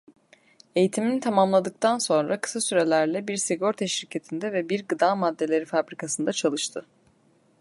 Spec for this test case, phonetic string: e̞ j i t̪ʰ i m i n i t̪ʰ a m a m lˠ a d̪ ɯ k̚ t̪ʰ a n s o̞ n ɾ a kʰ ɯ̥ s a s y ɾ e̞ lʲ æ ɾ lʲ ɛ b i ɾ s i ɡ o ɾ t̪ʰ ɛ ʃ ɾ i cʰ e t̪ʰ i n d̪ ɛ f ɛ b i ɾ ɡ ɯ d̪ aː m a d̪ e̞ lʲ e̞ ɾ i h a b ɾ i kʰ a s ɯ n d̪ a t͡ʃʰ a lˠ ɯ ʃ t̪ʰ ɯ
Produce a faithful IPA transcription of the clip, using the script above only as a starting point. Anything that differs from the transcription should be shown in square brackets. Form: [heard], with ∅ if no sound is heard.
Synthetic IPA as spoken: e̞ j i t̪ʰ i m i n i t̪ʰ a m a m lˠ a d̪ ɯ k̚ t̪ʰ a n s o̞ n ɾ a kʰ ɯ̥ s a s y ɾ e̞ lʲ æ ɾ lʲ ɛ b i ɾ s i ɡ o ɾ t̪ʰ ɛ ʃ ɾ i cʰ e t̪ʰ i n d̪ ɛ [v] ɛ b i ɾ ɡ ɯ d̪ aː m a [d̪ː] e̞ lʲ e̞ ɾ i [f] a b ɾ i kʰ a s ɯ n d̪ a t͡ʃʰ a lˠ ɯ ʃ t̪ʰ ɯ

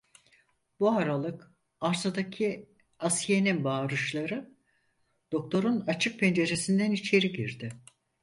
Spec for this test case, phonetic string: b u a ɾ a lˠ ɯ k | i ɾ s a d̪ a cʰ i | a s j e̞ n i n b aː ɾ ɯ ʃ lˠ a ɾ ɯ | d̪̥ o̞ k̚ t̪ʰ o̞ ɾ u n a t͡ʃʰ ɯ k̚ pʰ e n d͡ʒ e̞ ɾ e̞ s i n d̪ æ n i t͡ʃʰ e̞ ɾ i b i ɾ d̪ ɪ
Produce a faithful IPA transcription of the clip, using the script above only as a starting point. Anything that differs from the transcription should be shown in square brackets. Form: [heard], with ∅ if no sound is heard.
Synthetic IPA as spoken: b u a ɾ a lˠ ɯ k | [a] ɾ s a d̪ a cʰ i | a s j e̞ n i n b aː ɾ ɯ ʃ lˠ a ɾ ɯ | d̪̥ o̞ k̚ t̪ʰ o̞ ɾ u n a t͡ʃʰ ɯ k̚ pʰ e n d͡ʒ e̞ ɾ e̞ s i n d̪ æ n i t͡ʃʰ e̞ ɾ i [ɟ] i ɾ d̪ ɪ

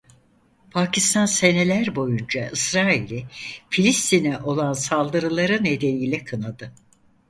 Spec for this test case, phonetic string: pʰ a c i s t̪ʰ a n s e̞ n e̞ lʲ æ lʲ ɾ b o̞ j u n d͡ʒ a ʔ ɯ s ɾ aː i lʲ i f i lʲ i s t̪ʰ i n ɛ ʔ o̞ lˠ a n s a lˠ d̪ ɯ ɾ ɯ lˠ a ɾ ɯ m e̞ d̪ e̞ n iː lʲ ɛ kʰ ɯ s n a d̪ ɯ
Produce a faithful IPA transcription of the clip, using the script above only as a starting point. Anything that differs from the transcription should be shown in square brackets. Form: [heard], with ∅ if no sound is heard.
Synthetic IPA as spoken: pʰ a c i s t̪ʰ a n s e̞ n e̞ lʲ æ [∅] ɾ b o̞ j u n d͡ʒ a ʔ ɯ s ɾ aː i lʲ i f i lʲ i s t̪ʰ i n ɛ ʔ o̞ lˠ a n s a lˠ d̪ ɯ ɾ ɯ lˠ a ɾ ɯ [n] e̞ d̪ e̞ n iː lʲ ɛ kʰ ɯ [∅] n a d̪ ɯ

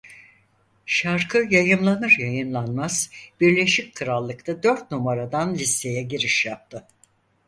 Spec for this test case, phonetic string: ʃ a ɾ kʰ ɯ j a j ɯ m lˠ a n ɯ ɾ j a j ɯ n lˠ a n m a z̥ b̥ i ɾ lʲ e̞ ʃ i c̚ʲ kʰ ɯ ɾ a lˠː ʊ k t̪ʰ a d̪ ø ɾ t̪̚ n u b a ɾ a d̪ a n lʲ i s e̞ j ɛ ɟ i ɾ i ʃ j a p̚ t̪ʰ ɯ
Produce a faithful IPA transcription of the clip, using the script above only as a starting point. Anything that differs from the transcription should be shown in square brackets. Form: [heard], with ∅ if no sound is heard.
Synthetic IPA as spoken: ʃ a ɾ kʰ ɯ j a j ɯ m lˠ a n ɯ ɾ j a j ɯ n lˠ a n m a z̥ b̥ i ɾ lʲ e̞ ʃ i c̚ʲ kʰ ɯ ɾ a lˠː [ɯ] k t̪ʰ a d̪ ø ɾ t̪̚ n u [m] a ɾ a d̪ a n lʲ i s e̞ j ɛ ɟ i ɾ i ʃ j a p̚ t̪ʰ ɯ

